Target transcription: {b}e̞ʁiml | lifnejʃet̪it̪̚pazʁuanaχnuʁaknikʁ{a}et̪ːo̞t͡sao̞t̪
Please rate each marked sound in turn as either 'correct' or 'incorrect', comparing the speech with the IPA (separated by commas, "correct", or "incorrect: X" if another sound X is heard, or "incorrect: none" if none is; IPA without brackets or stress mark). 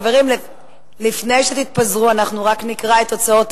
incorrect: v, correct